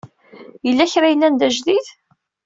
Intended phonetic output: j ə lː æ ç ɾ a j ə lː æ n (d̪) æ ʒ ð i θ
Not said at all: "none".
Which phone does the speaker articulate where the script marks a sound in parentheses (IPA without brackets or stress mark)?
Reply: d̪